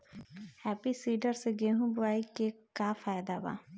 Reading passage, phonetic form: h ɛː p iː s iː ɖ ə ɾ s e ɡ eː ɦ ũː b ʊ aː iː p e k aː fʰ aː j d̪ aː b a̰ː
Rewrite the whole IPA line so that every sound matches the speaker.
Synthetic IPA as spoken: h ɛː p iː s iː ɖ ə ɾ s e ɡ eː ɦ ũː b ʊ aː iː k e k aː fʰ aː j d̪ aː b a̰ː